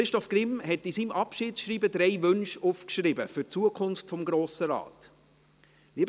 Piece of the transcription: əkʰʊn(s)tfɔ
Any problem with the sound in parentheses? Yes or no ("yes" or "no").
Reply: yes